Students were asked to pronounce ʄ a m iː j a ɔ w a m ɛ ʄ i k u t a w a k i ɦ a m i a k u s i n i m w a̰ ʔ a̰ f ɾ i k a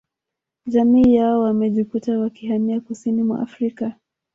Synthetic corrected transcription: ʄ a m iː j a ɔ w a m ɛ ʄ i k u t a w a k i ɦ a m i a k u s i n i m w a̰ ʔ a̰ f ɾ i k a